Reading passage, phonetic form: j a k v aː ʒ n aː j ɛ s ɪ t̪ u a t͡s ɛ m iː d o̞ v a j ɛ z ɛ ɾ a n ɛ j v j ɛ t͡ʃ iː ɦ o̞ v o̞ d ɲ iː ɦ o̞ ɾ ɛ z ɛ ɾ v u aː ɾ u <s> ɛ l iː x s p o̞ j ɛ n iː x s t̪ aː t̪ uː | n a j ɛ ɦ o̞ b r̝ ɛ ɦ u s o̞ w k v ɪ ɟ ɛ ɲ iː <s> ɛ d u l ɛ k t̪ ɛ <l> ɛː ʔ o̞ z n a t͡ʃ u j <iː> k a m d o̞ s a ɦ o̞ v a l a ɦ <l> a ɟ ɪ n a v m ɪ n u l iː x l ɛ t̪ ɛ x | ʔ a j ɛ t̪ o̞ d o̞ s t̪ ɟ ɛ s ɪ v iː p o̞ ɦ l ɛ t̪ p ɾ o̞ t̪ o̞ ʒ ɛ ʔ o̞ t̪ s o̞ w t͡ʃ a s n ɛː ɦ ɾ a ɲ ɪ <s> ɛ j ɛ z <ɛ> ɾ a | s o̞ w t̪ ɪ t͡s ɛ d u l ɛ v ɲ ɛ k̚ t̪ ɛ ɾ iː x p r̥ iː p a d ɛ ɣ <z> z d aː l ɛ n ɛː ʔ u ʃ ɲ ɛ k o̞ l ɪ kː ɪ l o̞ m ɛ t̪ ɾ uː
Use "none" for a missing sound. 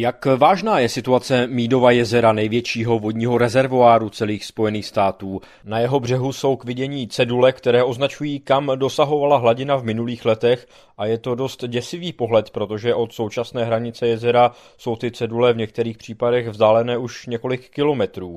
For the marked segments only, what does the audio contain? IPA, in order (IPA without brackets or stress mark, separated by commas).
t͡s, t͡s, ɾ, iː, l, t͡s, ɛ, v